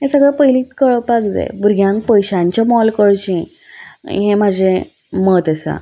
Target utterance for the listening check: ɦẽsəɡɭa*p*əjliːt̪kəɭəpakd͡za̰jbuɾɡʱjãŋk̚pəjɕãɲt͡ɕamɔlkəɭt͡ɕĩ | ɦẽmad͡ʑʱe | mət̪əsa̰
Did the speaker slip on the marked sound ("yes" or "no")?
no